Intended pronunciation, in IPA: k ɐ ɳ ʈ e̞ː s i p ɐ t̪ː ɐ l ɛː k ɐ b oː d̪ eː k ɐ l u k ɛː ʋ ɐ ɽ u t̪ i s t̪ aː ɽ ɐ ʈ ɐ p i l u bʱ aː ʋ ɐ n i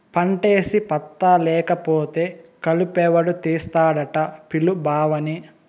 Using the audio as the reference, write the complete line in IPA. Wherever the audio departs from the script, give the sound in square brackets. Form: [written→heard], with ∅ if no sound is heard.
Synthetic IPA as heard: [k→p] ɐ ɳ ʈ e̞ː s i p ɐ t̪ː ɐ l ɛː k ɐ [b→p] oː [d̪→t̪] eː k ɐ l u [k→p] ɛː ʋ ɐ ɽ u t̪ [i→iː] s t̪ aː ɽ ɐ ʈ ɐ p i l u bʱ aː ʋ ɐ n i